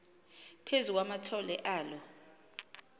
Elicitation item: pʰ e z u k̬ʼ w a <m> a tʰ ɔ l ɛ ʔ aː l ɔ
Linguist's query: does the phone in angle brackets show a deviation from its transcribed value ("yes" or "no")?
no